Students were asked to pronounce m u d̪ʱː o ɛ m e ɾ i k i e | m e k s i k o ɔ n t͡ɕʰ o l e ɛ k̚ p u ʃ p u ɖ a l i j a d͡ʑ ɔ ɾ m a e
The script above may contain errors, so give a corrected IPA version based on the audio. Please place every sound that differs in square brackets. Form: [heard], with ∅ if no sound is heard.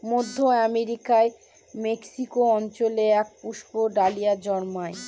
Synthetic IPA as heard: m [o] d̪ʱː o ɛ m e ɾ i k [a] e | m e k s i k o ɔ n [t͡ɕ] o l e ɛ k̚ p u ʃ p [o] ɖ a l i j a d͡ʑ ɔ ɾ m a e

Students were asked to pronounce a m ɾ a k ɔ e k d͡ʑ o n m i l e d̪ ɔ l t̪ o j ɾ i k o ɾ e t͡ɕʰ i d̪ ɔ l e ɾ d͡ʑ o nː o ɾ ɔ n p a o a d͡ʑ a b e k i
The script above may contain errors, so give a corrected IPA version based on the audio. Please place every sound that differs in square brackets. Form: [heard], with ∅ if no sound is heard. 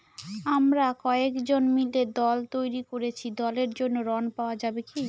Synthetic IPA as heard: a m ɾ a k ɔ e k d͡ʑ o n m i l e d̪ ɔ l t̪ o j ɾ i k o ɾ e t͡ɕʰ i d̪ ɔ l e ɾ d͡ʑ o nː o ɾ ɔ n p a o a d͡ʑ a b e k i

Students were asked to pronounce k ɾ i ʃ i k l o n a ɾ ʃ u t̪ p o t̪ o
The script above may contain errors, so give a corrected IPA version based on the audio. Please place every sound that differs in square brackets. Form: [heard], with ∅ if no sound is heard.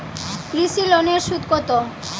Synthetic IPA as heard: k ɾ i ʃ i [∅] l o n [e] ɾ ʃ u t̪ [k] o t̪ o

